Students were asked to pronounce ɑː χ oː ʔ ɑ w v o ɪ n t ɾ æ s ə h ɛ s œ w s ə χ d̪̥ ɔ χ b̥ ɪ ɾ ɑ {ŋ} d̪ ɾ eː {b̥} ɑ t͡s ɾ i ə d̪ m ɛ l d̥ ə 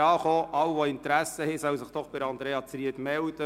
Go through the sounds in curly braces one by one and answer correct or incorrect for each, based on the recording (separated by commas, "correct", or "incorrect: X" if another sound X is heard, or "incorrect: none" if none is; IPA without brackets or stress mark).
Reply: incorrect: n, incorrect: none